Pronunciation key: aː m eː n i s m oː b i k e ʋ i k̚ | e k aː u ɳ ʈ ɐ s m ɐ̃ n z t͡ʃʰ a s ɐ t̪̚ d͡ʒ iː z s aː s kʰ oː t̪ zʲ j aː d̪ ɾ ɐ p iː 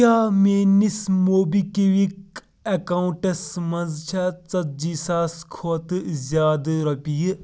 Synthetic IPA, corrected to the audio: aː m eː n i s m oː b i k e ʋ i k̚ | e k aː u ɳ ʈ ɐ s m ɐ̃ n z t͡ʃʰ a t͡s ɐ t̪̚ d͡ʒ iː s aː s kʰ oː t̪ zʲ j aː d̪ ɾ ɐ p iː